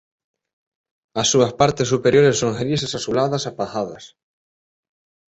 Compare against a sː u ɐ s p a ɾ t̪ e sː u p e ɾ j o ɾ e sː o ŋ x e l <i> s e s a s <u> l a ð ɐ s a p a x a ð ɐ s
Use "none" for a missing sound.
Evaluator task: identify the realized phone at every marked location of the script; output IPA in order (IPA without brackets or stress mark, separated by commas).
i, u